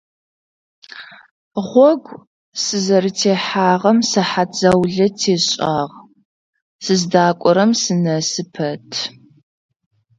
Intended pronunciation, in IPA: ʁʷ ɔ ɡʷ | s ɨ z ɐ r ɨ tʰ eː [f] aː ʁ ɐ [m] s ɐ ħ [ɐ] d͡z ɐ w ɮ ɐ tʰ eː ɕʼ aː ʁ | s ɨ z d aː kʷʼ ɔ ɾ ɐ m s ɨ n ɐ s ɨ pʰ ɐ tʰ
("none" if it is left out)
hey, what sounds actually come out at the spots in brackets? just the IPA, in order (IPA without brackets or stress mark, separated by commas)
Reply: ħ, m, a